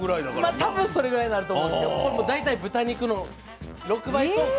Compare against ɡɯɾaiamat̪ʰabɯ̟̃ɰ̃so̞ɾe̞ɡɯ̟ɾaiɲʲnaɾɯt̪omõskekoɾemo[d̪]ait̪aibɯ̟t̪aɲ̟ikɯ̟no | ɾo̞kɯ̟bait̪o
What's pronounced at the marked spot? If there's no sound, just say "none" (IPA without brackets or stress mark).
d̪